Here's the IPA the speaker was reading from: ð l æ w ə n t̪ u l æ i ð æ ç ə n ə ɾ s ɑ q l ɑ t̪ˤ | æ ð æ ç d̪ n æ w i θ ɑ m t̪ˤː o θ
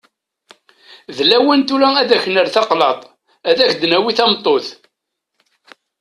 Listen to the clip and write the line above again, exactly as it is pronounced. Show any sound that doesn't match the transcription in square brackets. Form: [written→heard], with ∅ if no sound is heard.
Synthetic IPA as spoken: ð l æ w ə n t̪ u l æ [i→æ] ð æ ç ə n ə ɾ [s→θ] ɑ q l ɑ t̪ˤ | æ ð æ ç d̪ n æ w i θ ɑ m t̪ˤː o θ